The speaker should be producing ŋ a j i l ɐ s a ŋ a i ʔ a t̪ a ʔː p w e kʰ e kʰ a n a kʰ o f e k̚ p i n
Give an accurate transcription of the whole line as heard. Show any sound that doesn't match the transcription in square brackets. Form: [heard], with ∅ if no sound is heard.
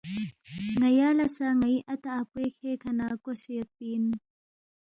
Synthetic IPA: ŋ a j [a] l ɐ s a ŋ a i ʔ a t̪ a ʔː p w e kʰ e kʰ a n a [k] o [s] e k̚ p i n